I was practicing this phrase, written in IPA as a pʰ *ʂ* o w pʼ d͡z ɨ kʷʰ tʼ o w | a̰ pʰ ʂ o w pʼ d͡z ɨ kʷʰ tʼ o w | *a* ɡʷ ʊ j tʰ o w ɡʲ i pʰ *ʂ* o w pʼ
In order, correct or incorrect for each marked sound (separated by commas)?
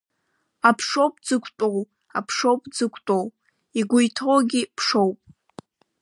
correct, incorrect, correct